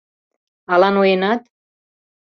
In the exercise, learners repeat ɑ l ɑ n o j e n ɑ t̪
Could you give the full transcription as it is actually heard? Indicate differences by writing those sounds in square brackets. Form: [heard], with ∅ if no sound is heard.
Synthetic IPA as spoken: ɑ l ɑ n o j e n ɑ t̪

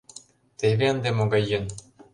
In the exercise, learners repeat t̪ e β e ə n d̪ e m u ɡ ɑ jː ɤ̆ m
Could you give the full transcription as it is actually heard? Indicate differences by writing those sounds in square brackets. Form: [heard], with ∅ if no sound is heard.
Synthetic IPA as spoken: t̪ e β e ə n d̪ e m [o] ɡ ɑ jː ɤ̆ [n]

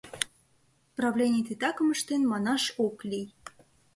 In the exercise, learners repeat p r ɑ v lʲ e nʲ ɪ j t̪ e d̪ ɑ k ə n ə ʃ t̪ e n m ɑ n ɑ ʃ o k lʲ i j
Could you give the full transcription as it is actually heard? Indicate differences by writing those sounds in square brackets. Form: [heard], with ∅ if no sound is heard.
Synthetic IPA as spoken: p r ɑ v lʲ e nʲ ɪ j t̪ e [t̪] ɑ k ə [m] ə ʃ t̪ e n m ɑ n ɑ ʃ o k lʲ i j

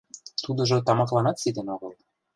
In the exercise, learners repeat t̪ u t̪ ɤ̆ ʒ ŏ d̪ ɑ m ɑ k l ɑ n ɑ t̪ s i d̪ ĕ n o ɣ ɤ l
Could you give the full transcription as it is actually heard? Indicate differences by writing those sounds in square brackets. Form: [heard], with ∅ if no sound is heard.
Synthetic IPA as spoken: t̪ u [d̪] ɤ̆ ʒ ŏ [t̪] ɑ m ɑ k l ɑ n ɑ t̪ s i d̪ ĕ n o ɣ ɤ l

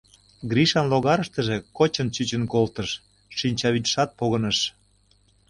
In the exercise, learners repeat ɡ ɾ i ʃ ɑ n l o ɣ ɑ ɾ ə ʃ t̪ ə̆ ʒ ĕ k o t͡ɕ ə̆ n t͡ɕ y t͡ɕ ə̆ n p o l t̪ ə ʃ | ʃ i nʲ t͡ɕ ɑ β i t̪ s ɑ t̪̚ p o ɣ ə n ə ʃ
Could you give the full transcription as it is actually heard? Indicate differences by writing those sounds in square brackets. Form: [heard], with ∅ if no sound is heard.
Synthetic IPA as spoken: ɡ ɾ i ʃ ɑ n l o ɣ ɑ ɾ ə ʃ t̪ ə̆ ʒ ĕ k o t͡ɕ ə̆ n t͡ɕ y t͡ɕ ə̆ n [k] o l t̪ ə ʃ | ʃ i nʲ t͡ɕ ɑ β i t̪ [ʃ] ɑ t̪̚ p o ɣ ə n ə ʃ

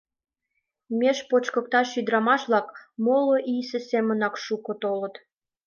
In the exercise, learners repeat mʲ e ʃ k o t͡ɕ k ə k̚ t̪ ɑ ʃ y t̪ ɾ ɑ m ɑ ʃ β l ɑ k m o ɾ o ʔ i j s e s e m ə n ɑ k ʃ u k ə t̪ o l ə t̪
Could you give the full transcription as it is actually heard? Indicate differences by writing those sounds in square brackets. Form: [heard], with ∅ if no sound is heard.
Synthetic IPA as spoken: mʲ e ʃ [p] o t͡ɕ k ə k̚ t̪ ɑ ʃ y [d̪] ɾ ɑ m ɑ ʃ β l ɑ k m o [l] o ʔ i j s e s e m ə n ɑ k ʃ u k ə t̪ o l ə t̪

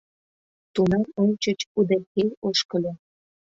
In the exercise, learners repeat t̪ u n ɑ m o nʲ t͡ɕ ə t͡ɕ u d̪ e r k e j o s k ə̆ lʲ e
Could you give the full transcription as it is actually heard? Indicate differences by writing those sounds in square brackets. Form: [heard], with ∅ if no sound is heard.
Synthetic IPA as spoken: t̪ u n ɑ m o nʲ t͡ɕ ə t͡ɕ u d̪ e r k e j o [ʃ] k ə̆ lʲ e

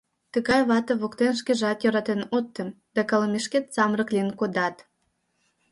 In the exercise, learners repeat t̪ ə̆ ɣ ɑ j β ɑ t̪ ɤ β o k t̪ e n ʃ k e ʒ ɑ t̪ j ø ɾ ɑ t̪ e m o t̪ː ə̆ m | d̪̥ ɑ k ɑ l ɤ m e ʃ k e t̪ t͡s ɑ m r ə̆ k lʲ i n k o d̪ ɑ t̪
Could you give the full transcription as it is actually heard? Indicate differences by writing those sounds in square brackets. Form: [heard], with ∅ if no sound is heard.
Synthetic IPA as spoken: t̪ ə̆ ɣ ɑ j β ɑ t̪ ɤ β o k t̪ e n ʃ k e ʒ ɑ t̪ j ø ɾ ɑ t̪ e [n] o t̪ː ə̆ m | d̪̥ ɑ k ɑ l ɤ m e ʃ k e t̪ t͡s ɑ m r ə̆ k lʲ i n k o d̪ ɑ t̪

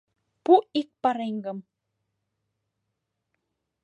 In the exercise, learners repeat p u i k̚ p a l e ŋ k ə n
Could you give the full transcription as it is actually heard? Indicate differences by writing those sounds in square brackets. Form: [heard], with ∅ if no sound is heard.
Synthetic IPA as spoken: p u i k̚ p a [ɾ] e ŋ [ɡ] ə [m]

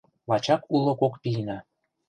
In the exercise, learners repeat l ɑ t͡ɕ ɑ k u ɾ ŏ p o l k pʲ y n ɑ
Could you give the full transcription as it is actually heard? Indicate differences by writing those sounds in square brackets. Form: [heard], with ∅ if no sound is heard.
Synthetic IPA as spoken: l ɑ t͡ɕ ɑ k u [l] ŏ [k] o [∅] k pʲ [i] n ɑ

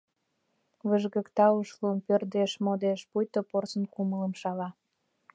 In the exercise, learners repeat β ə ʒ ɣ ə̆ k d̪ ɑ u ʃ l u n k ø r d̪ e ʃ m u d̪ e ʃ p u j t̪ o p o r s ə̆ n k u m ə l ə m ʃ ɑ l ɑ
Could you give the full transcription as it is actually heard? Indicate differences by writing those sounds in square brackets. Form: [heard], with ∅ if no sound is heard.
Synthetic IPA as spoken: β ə ʒ ɣ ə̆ k [t̪] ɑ u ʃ l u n [p] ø r d̪ e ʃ m [o] d̪ e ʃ p u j t̪ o p o r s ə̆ n k u m ə l ə m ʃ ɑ l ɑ

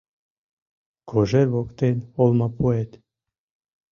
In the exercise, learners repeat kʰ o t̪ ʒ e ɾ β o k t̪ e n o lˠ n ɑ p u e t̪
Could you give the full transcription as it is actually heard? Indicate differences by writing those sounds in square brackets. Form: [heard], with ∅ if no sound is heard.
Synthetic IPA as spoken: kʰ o [∅] ʒ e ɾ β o k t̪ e n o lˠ [m] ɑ p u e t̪

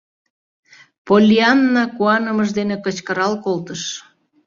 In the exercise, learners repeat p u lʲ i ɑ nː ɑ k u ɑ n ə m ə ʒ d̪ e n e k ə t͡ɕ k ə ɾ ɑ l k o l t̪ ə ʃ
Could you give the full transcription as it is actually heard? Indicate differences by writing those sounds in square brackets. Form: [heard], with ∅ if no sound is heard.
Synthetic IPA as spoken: p [o] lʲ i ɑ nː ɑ k u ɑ n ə m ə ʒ d̪ e n e k ə t͡ɕ k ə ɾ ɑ l k o l t̪ ə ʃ

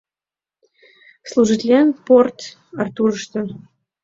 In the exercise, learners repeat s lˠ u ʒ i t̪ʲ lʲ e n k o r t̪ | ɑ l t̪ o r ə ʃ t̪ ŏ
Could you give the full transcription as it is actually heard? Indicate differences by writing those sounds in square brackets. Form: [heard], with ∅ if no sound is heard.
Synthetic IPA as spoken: s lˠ u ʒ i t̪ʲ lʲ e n [p] o r t̪ | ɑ [r] t̪ [u] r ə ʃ t̪ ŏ

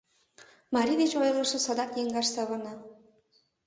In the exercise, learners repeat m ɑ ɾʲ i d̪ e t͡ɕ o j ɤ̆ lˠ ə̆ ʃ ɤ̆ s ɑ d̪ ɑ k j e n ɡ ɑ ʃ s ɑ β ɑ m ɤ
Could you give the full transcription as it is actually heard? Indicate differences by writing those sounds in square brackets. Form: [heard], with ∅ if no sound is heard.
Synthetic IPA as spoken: m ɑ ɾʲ i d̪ e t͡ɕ o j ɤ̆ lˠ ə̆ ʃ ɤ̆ s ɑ d̪ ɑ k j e [ŋ] ɡ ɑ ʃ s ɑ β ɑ [n] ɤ

